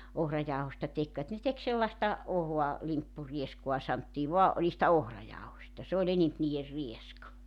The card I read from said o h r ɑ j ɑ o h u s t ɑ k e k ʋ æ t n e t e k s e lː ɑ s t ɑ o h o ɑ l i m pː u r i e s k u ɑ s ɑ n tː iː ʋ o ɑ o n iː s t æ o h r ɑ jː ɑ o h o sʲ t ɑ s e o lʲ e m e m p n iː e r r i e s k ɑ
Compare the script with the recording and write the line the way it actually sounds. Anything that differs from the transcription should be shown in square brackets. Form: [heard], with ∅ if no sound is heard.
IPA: o h r ɑ j ɑ o h [o] s t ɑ [t] e k ʋ æ t n e t e k s e lː ɑ s t ɑ o h o ɑ l i m pː u r i e s k u ɑ s ɑ n tː iː ʋ o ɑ o n iː s t æ o h r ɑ [j] ɑ o h o sʲ t ɑ s e o lʲ e [n] e m p n iː e r r i e s k ɑ